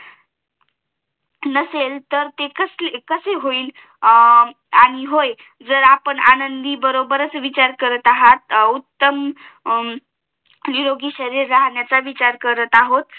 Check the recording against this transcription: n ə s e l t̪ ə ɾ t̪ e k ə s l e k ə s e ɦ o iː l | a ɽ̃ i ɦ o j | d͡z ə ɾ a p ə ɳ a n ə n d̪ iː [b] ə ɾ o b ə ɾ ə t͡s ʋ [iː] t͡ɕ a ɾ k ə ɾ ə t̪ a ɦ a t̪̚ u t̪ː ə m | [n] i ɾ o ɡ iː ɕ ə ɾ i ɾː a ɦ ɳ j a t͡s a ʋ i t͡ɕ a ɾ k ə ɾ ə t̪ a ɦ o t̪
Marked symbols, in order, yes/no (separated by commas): yes, no, yes